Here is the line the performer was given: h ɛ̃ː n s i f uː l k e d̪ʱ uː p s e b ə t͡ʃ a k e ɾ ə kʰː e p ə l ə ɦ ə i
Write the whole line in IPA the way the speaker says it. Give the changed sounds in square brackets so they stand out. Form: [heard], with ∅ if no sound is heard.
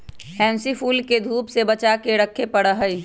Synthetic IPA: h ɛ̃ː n s i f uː l k e d̪ʱ uː p s e b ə t͡ʃ a k e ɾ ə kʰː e p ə [ɽ] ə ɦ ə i